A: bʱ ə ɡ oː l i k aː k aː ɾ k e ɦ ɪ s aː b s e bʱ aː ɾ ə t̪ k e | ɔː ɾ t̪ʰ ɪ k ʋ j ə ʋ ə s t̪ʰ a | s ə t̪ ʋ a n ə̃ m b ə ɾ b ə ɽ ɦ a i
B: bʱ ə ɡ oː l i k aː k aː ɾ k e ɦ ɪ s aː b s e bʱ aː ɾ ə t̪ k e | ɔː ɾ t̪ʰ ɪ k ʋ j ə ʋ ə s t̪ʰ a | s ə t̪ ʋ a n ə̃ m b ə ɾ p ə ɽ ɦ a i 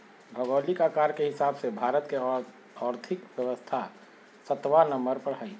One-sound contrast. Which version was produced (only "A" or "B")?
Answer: B